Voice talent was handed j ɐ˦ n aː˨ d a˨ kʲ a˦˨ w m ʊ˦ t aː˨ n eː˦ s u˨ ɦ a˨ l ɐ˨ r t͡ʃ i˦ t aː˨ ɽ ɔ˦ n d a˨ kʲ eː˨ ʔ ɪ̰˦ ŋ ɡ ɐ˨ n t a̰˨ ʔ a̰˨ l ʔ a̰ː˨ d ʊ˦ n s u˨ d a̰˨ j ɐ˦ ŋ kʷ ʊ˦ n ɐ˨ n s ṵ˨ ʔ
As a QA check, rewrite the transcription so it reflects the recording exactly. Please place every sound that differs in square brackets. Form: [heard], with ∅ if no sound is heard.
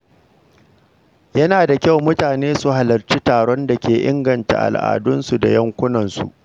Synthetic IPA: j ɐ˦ n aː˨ d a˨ kʲ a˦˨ w m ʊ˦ t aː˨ n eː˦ s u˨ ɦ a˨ l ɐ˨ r t͡ʃ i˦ t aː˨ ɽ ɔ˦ n d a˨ kʲ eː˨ ʔ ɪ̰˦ ŋ ɡ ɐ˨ n t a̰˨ ʔ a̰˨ l ʔ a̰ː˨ d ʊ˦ n s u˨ d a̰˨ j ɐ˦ ŋ kʷ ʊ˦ n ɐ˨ n s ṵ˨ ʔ